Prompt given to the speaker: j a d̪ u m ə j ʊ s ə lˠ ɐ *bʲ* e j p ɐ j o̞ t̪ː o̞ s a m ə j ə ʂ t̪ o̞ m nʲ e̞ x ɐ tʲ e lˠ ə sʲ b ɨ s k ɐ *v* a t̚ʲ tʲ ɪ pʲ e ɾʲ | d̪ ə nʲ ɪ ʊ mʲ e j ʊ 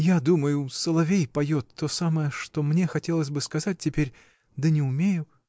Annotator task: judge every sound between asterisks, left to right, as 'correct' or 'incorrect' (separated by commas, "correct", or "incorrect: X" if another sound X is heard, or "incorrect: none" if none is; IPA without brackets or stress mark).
incorrect: vʲ, incorrect: z